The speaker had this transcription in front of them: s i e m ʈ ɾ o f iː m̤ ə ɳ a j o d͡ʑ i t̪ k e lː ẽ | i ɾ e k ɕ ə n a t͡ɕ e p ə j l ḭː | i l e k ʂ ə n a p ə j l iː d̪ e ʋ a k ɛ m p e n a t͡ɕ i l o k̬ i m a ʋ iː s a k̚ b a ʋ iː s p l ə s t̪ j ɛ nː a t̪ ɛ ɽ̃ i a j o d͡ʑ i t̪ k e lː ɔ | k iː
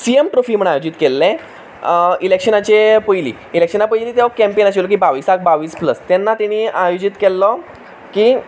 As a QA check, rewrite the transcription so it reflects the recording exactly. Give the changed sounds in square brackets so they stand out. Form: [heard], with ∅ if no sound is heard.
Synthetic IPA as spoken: s i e m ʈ ɾ o f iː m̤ ə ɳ a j o d͡ʑ i t̪ k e lː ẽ | i [l] e k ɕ ə n a t͡ɕ e p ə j l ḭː | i l e k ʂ ə n a p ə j l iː [t̪] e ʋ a k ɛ m p e n a t͡ɕ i l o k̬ i [b] a ʋ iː s a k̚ b a ʋ iː s p l ə s t̪ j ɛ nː a t̪ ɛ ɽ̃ i a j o d͡ʑ i t̪ k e lː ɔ | k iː